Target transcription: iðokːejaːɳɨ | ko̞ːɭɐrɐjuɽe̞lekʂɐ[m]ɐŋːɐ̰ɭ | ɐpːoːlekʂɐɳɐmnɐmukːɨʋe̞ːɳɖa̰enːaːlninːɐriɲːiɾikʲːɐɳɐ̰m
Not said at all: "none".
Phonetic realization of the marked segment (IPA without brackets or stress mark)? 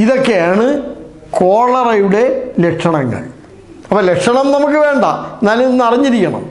ɳ